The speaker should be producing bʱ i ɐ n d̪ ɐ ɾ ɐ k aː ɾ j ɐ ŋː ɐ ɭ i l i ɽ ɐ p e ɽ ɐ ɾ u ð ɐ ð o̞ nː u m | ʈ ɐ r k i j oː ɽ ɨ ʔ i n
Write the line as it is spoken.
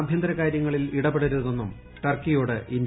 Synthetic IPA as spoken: bʱ j ɐ n d̪ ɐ ɾ ɐ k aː ɾ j ɐ ŋː ɐ ɭ i l i ɽ ɐ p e ɽ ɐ ɾ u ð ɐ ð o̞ nː u m | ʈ ɐ r k i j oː ɽ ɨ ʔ i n

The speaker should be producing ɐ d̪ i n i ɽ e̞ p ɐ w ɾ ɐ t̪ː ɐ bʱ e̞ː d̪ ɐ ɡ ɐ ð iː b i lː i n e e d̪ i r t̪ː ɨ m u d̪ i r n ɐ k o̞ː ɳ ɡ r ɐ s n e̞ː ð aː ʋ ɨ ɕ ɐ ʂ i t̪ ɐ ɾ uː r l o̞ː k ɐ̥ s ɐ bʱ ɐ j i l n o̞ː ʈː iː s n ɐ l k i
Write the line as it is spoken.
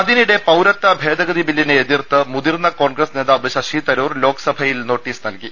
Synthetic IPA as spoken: ɐ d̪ i n i ɽ e̞ p ɐ w ɾ ɐ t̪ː ɐ bʱ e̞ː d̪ ɐ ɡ ɐ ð i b i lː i n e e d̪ i r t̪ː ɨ m u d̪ i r n ɐ k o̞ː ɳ ɡ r ɐ s n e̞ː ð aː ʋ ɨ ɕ ɐ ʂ i t̪ ɐ ɾ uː r l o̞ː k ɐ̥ s ɐ bʱ ɐ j i l n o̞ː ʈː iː s n ɐ l k i

